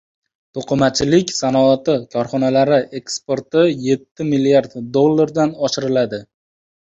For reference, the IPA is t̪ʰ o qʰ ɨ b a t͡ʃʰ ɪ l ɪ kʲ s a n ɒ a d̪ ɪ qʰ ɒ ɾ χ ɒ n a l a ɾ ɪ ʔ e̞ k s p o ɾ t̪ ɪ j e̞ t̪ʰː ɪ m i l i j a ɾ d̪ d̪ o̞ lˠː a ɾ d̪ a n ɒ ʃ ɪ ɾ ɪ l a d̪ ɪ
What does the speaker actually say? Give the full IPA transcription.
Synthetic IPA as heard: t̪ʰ o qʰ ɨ m a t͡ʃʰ ɪ l ɪ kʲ s a n ɒ a t̪ ɪ kʰ ɒ ɾ χ ɒ n a l a ɾ ɪ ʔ e̞ k s p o ɾ t̪ ɪ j e̞ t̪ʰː ɪ m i l i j a ɾ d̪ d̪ o̞ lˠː a ɾ d̪ a n ɒ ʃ ɪ ɾ ɪ l a d̪ ɪ